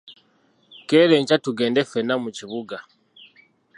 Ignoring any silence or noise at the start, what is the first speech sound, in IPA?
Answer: k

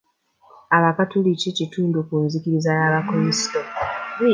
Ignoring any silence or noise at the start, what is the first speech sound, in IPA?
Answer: a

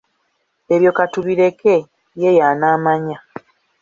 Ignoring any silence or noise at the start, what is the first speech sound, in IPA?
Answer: e̞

